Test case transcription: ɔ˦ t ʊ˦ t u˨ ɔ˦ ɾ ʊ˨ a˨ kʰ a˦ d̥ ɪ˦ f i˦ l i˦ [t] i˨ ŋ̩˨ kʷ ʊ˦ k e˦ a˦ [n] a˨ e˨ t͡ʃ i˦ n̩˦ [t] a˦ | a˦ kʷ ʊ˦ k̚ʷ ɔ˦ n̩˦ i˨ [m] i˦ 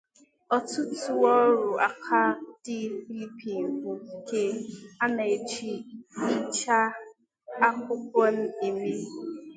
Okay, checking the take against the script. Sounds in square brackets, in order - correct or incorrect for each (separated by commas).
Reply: incorrect, correct, incorrect, correct